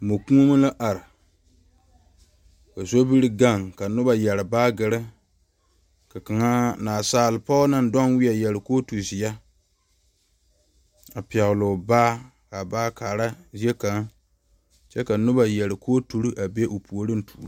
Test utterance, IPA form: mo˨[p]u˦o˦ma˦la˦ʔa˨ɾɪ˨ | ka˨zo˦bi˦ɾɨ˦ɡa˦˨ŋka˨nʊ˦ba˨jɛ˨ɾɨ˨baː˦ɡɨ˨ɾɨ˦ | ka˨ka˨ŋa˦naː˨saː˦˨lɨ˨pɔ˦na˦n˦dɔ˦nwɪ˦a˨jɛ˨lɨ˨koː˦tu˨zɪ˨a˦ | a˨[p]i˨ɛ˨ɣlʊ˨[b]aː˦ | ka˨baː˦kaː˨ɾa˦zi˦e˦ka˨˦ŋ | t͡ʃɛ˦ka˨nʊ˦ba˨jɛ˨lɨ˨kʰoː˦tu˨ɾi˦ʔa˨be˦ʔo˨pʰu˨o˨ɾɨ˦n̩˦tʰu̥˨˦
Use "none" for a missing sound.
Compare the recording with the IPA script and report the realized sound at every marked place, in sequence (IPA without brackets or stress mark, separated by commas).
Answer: k, p, b